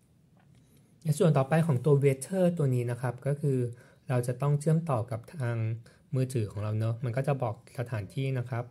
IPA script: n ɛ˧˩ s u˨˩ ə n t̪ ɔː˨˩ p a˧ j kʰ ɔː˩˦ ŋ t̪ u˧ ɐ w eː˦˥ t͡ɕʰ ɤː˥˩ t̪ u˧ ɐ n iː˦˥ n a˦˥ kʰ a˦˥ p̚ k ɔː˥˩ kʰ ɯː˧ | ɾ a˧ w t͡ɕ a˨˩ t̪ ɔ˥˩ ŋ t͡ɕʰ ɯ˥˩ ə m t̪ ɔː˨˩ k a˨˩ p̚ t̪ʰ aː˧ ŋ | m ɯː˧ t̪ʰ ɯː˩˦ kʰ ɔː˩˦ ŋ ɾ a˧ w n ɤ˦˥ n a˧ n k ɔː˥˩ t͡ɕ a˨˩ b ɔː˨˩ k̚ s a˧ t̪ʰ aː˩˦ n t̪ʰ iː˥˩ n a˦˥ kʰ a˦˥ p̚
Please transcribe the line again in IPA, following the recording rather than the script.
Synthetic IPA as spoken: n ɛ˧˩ s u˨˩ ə n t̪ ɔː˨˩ p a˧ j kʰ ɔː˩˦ ŋ t̪ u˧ ɐ w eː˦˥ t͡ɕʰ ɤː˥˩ t̪ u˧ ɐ n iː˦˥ n a˦˥ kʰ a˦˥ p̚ k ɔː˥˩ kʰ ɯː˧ | ɾ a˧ w t͡ɕ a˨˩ t̪ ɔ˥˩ ŋ t͡ɕʰ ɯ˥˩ ə m t̪ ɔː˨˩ k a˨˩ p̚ t̪ʰ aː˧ ŋ | m ɯː˧ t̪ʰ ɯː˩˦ kʰ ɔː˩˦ ŋ ɾ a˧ w n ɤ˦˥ m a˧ n k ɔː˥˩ t͡ɕ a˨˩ b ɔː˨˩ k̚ s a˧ t̪ʰ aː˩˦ n t̪ʰ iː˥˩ n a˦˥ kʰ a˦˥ p̚

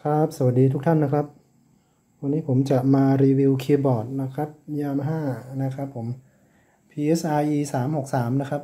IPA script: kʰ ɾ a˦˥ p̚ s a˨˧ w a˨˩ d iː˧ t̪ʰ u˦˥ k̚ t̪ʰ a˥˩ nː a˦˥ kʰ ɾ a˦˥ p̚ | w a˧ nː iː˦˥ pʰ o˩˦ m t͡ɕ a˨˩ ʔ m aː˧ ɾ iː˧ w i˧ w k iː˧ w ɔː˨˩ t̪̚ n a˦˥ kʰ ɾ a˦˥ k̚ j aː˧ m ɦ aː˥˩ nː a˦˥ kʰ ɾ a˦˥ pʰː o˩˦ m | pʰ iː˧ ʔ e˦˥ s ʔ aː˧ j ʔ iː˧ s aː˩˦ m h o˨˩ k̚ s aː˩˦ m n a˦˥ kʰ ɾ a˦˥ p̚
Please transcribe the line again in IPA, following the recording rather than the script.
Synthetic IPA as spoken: kʰ ɾ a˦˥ p̚ s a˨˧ w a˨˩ d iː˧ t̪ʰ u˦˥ k̚ t̪ʰ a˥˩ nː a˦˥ kʰ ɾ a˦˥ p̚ | w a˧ nː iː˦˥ pʰ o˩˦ m t͡ɕ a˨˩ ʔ m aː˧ ɾ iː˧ w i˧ w kʰ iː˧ b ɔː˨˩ t̪̚ n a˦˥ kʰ ɾ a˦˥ p̚ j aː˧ m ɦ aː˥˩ n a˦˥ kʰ ɾ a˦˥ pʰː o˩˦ m | pʰ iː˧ ʔ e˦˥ s ʔ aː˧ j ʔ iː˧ s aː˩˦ m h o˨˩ k̚ s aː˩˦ m n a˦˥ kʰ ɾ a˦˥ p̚

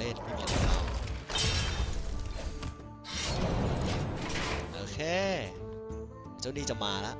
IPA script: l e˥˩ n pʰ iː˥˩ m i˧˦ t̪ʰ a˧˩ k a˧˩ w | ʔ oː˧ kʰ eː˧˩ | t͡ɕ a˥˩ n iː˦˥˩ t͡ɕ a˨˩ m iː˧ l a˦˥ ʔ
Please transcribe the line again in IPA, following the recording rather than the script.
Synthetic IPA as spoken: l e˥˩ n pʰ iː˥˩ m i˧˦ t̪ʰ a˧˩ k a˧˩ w | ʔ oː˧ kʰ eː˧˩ | t͡ɕ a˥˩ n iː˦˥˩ t͡ɕ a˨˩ m aː˧ l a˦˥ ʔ

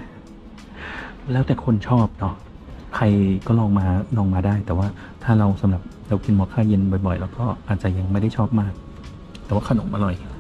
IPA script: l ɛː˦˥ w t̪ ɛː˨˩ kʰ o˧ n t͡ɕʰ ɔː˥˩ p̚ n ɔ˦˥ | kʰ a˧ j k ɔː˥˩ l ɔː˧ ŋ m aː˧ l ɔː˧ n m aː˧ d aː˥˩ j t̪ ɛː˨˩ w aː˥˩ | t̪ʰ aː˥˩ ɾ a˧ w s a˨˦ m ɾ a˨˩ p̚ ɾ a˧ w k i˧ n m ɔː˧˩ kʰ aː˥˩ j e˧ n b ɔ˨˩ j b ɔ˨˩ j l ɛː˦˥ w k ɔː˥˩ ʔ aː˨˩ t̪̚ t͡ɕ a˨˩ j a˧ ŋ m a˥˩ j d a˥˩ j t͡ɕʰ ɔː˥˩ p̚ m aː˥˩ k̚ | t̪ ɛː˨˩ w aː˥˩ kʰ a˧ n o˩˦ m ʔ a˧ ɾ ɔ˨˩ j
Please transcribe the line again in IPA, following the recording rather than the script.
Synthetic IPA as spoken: l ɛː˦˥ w t̪ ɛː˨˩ kʰ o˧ n t͡ɕʰ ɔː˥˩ p̚ n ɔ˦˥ | kʰ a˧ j k ɔː˥˩ l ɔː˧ ŋ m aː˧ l ɔː˧ ŋ m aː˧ d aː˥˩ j t̪ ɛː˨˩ w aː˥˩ | t̪ʰ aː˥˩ ɾ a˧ w s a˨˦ m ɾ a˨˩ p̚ ɾ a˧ w k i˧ n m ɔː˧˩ kʰ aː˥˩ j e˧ n b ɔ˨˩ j b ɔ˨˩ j l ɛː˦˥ w k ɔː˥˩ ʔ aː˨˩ t̪̚ t͡ɕ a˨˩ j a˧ ŋ m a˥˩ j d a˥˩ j t͡ɕʰ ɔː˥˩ p̚ m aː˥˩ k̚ | t̪ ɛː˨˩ w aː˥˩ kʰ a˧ n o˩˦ m ʔ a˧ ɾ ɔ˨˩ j

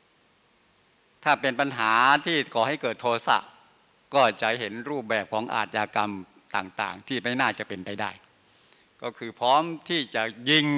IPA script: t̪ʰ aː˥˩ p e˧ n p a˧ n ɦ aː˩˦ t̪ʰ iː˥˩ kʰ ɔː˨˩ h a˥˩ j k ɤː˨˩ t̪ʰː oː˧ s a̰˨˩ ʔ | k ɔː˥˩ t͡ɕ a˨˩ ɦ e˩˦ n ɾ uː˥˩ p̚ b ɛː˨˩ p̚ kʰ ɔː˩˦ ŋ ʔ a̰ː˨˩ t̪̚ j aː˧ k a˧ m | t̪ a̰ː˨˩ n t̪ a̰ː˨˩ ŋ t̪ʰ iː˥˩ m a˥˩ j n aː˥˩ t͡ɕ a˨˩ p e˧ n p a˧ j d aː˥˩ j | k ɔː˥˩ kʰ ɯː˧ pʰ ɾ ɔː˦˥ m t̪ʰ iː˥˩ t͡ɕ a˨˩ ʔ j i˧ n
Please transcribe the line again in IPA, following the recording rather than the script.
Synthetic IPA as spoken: t̪ʰ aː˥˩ p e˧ n p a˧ n ɦ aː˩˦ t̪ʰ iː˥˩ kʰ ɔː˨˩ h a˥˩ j k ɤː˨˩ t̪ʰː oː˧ s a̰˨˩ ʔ | k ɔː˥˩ t͡ɕ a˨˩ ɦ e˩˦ n ɾ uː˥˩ p̚ b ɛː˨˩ p̚ kʰ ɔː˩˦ ŋ ʔ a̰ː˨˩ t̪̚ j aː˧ k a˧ m | t̪ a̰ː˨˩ ŋ t̪ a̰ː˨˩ ŋ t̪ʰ iː˥˩ m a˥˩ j n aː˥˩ t͡ɕ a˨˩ p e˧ n p a˧ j d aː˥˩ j | k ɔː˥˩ kʰ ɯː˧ pʰ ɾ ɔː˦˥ m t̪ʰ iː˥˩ t͡ɕ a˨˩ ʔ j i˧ ŋ

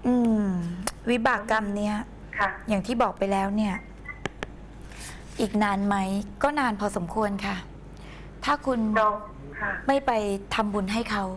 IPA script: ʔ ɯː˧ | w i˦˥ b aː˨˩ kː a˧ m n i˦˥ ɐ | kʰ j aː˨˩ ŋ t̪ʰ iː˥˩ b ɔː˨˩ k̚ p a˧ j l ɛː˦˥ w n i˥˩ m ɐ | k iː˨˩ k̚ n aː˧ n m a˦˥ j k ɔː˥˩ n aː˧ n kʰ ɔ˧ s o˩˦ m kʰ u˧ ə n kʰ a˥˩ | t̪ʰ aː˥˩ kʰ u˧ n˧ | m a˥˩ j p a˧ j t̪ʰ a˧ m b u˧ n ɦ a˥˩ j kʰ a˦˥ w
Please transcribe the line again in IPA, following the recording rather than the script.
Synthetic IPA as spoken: ʔ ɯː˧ | w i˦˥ b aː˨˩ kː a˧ m n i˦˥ ɐ | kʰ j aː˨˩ ŋ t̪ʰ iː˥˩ b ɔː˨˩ k̚ p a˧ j l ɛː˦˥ w n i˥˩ ɐ | ʔ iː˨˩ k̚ n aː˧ n m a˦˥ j k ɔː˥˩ n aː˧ n pʰ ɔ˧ s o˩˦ m kʰ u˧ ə n kʰ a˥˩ | t̪ʰ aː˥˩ kʰ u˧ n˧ | m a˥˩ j p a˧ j t̪ʰ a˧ m b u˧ n ɦ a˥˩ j kʰ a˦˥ w

